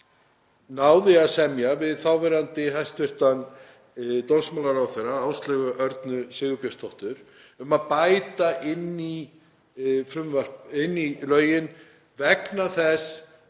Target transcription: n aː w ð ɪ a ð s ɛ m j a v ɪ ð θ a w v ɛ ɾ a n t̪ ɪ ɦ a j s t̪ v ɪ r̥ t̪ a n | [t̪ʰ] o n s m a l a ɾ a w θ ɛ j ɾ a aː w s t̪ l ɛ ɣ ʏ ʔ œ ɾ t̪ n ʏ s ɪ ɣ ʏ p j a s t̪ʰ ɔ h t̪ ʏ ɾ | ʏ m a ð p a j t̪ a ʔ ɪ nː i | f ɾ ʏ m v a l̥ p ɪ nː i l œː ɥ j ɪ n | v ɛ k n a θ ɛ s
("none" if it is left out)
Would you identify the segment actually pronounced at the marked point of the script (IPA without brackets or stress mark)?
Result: t̪